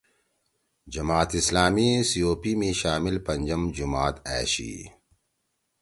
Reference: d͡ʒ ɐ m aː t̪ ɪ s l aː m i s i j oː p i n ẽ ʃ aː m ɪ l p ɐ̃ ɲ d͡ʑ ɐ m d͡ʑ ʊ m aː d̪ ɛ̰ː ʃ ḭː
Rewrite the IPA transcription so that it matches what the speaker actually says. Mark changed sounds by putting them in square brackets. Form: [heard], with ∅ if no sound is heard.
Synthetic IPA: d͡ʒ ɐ m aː t̪ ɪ s l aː m i s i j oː p i [m] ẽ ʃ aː m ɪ l p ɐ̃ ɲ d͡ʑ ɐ m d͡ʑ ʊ m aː [t̪] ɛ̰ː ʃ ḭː